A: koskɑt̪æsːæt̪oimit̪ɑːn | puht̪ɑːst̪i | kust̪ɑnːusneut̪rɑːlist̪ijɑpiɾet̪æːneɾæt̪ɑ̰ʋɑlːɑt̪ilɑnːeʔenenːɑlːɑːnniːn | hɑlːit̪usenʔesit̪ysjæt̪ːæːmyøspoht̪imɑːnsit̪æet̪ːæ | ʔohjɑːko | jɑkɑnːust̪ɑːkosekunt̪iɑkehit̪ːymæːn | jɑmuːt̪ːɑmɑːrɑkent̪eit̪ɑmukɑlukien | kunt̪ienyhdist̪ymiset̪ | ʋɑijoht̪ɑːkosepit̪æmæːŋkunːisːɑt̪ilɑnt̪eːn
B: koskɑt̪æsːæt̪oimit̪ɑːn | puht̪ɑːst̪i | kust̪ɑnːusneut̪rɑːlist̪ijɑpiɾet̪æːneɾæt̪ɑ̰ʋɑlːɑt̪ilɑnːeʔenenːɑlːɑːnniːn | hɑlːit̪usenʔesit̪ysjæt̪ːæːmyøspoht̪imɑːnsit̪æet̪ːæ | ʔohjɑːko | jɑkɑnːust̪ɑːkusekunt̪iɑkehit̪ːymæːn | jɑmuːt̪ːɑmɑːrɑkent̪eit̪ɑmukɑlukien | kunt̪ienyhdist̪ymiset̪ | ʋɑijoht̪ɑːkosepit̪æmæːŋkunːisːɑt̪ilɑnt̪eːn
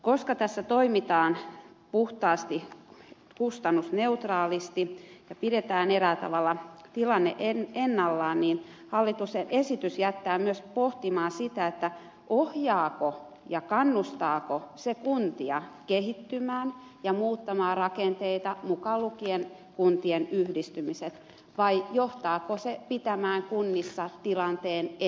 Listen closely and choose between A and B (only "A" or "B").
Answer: A